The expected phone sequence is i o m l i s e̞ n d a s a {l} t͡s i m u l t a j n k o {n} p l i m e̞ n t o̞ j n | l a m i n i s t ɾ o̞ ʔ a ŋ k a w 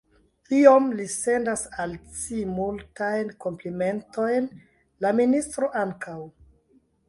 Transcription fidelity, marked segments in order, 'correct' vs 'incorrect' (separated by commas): correct, incorrect